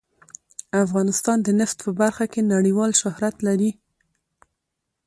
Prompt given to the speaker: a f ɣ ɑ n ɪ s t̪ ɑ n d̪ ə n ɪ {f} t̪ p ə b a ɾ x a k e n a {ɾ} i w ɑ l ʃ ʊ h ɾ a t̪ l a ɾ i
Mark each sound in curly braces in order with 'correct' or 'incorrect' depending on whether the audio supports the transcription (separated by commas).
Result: correct, incorrect